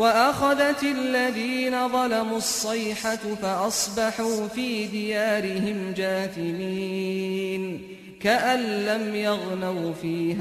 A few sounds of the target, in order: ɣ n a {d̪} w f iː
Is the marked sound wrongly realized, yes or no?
yes